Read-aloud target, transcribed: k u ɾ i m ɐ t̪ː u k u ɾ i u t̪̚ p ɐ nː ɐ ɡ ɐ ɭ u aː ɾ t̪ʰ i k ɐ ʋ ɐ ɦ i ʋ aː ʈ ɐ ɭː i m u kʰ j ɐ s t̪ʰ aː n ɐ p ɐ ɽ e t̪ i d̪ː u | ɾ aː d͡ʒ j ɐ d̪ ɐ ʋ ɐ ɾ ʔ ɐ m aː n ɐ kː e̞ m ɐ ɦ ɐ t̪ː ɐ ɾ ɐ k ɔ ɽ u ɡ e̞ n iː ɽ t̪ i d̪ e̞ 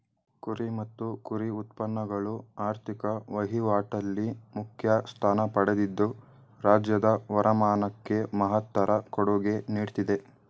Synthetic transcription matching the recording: k u ɾ i m ɐ t̪ː u k u ɾ i u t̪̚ p ɐ nː ɐ ɡ ɐ ɭ u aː ɾ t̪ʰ i k ɐ ʋ ɐ ɦ i ʋ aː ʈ ɐ lː i m u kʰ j ɐ s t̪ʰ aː n ɐ p ɐ ɽ e d̪ i d̪ː u | ɾ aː d͡ʒ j ɐ d̪ ɐ ʋ ɐ ɾ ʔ ɐ m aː n ɐ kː e̞ m ɐ ɦ ɐ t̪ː ɐ ɾ ɐ k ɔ ɽ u ɡ e̞ n iː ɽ t̪ i d̪ e̞